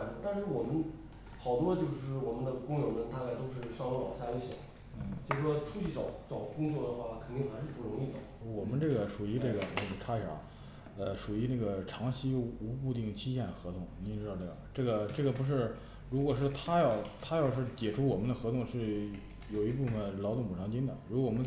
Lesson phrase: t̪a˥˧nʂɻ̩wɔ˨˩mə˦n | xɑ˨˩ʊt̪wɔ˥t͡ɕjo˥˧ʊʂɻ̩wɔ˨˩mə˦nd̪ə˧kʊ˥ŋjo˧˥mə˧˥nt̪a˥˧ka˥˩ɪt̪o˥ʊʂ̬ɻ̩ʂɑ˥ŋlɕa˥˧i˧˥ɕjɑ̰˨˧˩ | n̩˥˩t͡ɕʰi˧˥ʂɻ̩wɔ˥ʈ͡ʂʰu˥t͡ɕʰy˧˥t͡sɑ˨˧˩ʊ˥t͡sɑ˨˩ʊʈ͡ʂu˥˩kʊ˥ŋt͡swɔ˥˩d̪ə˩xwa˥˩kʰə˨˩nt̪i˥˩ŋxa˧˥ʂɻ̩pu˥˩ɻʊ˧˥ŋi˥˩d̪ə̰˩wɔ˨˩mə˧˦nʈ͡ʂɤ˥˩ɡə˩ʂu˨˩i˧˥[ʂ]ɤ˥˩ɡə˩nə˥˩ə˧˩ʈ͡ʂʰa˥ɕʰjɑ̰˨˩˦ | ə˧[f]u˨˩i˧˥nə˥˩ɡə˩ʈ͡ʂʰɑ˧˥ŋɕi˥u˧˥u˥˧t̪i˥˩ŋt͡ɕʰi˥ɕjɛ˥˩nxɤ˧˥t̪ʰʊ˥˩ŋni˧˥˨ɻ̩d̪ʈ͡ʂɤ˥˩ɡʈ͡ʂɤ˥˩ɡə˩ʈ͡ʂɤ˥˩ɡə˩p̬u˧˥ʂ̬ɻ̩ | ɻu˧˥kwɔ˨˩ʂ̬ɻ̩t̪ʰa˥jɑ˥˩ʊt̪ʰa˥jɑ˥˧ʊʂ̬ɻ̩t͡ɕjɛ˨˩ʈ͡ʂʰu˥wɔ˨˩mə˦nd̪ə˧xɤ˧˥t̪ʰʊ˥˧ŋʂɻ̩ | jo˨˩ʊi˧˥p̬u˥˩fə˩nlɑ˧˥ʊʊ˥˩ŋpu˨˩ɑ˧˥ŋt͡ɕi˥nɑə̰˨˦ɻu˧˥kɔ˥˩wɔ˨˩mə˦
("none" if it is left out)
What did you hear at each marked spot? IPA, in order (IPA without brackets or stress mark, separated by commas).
ʈ͡ʂ, ʂ